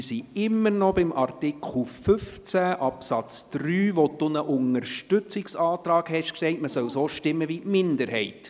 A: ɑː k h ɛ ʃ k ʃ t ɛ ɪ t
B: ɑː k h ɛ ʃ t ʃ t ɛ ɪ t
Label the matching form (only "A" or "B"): A